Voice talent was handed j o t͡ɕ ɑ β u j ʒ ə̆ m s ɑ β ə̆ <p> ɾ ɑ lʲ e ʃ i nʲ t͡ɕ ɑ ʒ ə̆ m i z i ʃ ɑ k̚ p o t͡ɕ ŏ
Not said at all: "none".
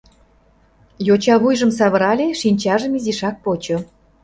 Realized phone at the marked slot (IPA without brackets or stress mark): none